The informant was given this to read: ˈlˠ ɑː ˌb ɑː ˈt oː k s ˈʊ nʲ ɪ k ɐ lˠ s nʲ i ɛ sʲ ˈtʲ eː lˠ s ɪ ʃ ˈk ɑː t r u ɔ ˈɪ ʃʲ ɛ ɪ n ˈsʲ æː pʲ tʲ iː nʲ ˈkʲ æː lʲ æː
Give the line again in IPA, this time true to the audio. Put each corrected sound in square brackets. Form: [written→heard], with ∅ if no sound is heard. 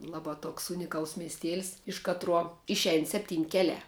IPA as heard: ˈlˠ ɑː ˌb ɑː ˈt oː k s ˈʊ nʲ ɪ k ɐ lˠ s [nʲ→mʲ] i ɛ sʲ ˈtʲ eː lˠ s ɪ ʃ ˈk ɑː t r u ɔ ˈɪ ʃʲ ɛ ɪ n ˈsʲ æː pʲ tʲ iː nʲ ˈkʲ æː lʲ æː